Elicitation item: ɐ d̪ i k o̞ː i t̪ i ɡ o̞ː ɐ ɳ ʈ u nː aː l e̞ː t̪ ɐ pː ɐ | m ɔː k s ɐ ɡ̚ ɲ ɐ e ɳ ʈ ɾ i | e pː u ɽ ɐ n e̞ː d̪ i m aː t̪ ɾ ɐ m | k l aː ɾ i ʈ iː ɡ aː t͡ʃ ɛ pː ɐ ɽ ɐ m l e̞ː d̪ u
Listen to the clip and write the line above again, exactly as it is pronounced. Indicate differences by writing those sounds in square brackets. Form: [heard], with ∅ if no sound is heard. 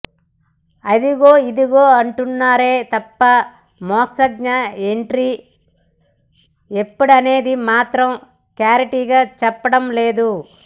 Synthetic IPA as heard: ɐ d̪ i [ɡ] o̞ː i [d̪] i ɡ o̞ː ɐ ɳ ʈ u nː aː [ɾ] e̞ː t̪ ɐ pː ɐ | m ɔː k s ɐ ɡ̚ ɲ ɐ e ɳ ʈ ɾ i | e pː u ɽ ɐ n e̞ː d̪ i m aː t̪ ɾ ɐ m | k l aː ɾ i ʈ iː ɡ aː t͡ʃ ɛ pː ɐ ɽ ɐ m l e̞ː d̪ u